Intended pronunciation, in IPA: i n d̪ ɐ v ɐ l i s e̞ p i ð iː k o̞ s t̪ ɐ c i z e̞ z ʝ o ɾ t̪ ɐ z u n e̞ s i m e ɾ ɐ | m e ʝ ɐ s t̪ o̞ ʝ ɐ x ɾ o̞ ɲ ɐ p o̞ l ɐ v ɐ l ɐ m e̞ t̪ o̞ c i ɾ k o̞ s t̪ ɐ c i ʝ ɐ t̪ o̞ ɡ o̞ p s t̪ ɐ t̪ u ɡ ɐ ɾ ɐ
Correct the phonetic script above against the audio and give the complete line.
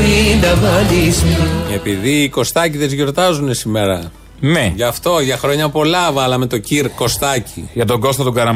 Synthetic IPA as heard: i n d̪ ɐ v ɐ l i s e̞ p i ð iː k o̞ s t̪ ɐ c i ð e̞ z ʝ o ɾ t̪ ɐ z u n e̞ s i m e ɾ ɐ | m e ʝ ɐ f t̪ o̞ ʝ ɐ x ɾ o̞ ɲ ɐ p o̞ l ɐ v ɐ l ɐ m e̞ t̪ o̞ c i ɾ k o̞ s t̪ ɐ c i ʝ ɐ t̪ o̞ ɡ o̞ s t̪ ɐ t̪ u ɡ ɐ ɾ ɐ